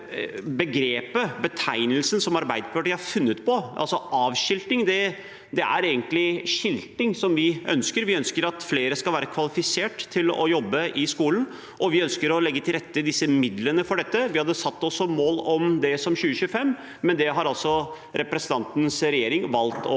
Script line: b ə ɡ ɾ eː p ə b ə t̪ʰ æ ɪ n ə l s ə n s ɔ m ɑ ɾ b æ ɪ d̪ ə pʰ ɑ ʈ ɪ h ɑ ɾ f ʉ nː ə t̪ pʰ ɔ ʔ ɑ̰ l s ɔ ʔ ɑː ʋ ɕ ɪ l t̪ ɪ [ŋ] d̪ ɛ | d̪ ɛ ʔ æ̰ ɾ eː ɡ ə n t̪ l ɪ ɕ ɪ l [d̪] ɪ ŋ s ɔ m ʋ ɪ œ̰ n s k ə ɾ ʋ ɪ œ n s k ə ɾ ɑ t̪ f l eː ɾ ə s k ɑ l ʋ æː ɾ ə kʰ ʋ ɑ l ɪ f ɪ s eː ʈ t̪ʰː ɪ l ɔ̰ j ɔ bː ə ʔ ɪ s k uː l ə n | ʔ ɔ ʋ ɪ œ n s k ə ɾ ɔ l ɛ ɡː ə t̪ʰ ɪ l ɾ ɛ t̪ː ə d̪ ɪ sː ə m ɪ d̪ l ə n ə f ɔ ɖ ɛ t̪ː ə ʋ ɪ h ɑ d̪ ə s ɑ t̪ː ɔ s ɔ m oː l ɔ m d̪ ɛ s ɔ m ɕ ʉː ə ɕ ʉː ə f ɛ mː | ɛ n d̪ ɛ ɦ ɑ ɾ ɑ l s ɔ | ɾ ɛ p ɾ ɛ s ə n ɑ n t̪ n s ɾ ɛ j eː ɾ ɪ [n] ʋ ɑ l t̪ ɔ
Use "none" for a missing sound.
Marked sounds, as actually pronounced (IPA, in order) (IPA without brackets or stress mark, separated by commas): ŋ, t̪, ŋ